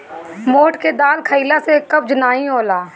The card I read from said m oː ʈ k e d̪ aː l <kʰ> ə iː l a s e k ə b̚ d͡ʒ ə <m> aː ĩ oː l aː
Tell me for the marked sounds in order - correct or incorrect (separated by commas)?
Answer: correct, incorrect